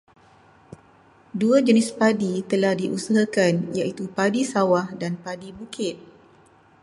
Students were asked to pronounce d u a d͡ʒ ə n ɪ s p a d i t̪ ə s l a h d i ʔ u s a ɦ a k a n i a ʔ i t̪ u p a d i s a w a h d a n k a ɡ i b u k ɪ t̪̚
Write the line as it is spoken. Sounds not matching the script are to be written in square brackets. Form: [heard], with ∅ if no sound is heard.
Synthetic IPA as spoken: d u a d͡ʒ ə n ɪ s p a d i t̪ ə [∅] l a h d i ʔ u s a ɦ a k a n [j] a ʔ i t̪ u p a d i s a w a h d a n [p] a [d] i b u k ɪ t̪̚